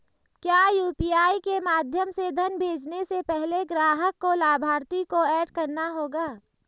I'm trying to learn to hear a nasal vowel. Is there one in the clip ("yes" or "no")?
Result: no